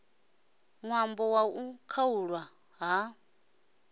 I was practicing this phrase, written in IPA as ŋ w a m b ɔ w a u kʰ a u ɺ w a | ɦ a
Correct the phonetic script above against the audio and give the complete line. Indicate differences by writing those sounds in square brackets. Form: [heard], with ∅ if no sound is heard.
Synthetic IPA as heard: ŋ w a m b ɔ w a u kʰ a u ɺ w a | ɦ a